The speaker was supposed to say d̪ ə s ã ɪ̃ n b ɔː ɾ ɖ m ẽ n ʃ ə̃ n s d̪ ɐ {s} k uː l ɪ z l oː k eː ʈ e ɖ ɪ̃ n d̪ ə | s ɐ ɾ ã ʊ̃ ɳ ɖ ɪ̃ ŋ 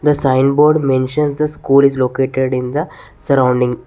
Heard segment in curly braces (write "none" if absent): s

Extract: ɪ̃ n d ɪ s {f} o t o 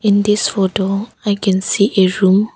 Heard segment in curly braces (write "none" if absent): f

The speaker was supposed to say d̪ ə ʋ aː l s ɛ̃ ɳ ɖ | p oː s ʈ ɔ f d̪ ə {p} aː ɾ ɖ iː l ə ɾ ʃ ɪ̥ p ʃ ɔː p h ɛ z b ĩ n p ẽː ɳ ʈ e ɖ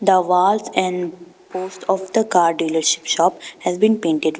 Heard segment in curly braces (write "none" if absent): k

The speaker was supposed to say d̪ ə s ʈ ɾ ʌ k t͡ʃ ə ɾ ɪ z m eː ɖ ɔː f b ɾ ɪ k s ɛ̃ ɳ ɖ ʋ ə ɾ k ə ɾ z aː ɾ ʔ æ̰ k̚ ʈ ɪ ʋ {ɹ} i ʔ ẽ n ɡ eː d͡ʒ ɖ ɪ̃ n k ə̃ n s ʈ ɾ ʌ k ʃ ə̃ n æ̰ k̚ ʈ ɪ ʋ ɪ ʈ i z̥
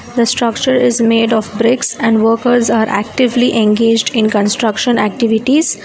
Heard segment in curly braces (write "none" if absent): l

